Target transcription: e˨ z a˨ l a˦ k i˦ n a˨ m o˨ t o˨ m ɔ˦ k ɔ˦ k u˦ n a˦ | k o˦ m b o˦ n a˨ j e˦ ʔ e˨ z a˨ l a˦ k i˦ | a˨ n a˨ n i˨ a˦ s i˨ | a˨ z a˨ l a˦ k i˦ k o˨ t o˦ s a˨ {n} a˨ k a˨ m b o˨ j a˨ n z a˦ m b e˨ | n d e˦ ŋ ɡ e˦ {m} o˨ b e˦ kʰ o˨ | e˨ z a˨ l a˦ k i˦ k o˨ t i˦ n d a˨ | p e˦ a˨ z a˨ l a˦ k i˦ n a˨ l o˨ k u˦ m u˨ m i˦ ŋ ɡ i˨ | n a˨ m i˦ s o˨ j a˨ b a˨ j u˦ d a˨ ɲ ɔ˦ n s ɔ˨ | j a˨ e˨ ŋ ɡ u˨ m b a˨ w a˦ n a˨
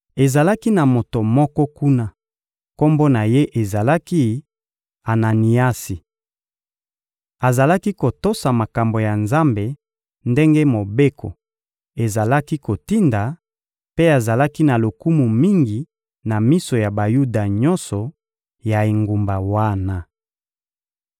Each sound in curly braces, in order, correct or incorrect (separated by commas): incorrect, correct